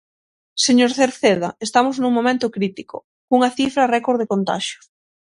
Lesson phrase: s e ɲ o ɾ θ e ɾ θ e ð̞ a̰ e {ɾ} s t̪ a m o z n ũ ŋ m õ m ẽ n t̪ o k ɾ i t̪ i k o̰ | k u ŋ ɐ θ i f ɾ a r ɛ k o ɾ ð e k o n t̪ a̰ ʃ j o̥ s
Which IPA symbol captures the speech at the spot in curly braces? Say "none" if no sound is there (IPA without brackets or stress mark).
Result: none